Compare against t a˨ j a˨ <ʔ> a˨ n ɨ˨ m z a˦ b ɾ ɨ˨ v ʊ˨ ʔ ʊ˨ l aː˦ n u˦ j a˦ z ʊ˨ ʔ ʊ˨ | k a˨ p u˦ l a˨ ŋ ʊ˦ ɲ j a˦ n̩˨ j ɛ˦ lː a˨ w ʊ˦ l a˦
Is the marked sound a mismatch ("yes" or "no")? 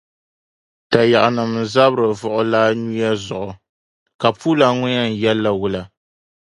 no